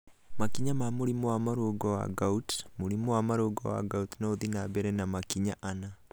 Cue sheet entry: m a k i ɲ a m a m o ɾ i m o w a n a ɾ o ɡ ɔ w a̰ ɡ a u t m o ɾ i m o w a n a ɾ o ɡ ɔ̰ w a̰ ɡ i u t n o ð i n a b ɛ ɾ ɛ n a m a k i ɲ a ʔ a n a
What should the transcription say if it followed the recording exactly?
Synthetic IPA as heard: m a k i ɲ a m a m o ɾ i m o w a m a ɾ o ɡ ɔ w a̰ ɡ a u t m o ɾ i m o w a m a ɾ o ɡ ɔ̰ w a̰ ɡ a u t n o ð i n a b ɛ ɾ ɛ n a m a k i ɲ a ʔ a n a